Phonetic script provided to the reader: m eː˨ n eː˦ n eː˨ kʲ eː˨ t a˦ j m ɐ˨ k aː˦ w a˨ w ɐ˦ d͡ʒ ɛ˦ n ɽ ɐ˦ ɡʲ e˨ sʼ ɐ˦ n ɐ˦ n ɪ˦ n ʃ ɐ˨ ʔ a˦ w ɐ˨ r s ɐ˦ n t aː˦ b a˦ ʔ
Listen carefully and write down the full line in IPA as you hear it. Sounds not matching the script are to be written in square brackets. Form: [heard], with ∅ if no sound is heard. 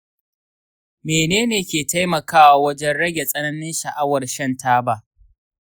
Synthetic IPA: m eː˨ n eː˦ n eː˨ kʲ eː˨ t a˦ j m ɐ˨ k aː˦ w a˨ w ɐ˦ d͡ʒ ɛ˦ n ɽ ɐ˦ ɡʲ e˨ sʼ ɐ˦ n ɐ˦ n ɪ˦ n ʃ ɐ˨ ʔ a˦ w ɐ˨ r [ʃ] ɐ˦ n t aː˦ b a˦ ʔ